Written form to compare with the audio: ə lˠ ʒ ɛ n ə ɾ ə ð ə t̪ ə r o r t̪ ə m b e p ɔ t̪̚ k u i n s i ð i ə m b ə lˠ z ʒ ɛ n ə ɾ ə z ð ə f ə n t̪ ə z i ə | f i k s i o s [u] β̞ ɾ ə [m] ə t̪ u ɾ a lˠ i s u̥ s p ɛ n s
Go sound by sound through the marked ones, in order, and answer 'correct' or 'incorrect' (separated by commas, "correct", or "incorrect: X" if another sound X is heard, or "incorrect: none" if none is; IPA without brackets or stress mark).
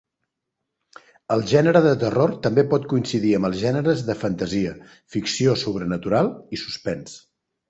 correct, incorrect: n